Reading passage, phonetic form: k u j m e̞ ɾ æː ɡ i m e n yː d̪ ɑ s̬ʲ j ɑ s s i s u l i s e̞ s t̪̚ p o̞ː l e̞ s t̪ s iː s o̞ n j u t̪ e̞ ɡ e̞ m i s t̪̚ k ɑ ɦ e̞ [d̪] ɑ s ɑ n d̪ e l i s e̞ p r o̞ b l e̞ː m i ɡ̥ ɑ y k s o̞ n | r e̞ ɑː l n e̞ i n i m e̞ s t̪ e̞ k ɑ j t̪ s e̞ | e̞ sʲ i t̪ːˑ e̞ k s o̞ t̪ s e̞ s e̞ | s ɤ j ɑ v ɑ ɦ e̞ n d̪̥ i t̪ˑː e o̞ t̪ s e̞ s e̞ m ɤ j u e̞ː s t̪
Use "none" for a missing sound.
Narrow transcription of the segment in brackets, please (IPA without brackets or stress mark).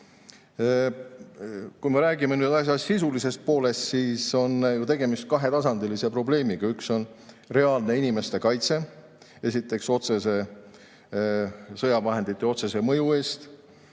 t̪